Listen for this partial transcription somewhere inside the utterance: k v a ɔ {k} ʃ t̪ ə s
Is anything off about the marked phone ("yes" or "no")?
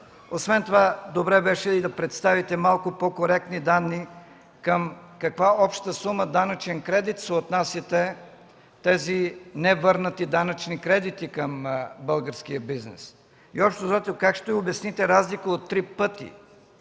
yes